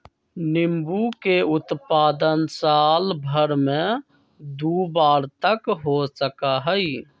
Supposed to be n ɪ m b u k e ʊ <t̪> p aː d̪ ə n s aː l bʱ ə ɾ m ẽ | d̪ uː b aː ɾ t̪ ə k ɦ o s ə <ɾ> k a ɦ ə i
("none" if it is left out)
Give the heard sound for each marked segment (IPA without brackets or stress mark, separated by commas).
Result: t̪, none